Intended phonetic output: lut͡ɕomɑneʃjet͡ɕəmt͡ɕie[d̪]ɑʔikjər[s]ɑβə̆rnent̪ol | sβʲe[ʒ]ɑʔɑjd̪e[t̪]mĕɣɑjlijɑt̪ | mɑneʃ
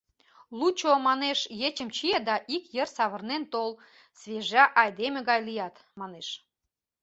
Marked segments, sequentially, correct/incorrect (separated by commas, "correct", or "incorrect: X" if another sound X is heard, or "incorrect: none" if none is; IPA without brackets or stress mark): correct, correct, correct, incorrect: none